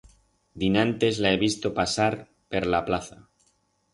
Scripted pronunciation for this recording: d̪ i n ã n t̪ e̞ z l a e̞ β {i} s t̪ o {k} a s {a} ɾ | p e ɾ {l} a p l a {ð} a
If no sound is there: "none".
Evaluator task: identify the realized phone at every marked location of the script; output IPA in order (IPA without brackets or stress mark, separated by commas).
i, p, a, l, θ